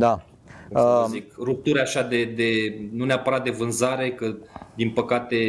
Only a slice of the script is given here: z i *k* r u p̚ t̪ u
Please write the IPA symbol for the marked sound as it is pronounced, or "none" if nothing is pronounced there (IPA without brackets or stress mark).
k